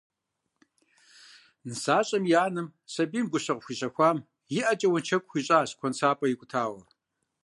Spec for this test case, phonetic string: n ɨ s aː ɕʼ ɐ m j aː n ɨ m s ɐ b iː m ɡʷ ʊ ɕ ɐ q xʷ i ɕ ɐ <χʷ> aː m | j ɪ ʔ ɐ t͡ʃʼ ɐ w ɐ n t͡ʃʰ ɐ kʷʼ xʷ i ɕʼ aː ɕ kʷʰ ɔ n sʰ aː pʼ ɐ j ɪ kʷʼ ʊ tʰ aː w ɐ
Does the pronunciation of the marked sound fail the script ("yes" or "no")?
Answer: yes